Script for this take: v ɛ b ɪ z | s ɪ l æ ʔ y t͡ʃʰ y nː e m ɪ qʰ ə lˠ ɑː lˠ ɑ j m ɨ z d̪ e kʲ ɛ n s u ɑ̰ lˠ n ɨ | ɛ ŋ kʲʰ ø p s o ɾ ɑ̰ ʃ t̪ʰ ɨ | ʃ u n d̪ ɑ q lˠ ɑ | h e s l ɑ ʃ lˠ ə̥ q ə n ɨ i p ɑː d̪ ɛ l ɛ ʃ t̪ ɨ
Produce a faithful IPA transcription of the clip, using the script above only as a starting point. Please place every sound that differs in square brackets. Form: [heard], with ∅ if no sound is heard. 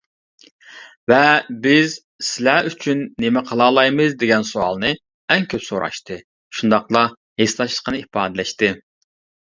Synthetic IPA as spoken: v ɛ b ɪ z | s ɪ l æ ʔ y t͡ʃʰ y nː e m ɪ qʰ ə lˠ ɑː lˠ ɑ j m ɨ z d̪ e [ɡʲ] ɛ n s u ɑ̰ lˠ n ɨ | ɛ ŋ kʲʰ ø p s o ɾ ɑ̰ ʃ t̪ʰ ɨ | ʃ u n d̪ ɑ q lˠ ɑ | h e s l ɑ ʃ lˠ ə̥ q ə n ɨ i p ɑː d̪ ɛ l ɛ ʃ t̪ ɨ